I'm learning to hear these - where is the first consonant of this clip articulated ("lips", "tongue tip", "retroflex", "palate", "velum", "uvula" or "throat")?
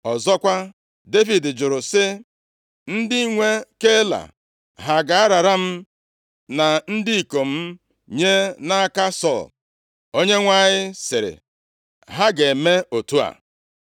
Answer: tongue tip